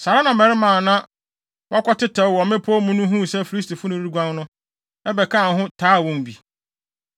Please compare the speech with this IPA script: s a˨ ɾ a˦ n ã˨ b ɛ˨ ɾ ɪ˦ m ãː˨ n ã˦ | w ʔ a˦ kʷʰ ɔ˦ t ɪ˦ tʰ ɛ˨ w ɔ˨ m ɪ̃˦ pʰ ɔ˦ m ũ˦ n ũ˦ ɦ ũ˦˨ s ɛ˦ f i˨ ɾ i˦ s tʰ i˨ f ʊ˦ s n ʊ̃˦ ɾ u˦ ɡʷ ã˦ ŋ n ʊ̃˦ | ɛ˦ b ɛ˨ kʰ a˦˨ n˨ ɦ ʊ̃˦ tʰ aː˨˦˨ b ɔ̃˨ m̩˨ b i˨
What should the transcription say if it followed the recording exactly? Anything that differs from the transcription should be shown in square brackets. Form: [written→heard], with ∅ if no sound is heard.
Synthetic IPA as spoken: s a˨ ɾ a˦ n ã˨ [b→m] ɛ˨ ɾ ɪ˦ m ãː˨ n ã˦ | w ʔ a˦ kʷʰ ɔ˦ t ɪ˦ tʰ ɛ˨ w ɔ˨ m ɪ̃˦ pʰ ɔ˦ m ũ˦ n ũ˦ ɦ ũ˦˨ s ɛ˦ f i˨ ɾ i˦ s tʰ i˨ f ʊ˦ [s→∅] n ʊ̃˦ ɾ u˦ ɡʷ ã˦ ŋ n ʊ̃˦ | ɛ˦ b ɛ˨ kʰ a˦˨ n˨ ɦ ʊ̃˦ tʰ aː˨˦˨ [b→w] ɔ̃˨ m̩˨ b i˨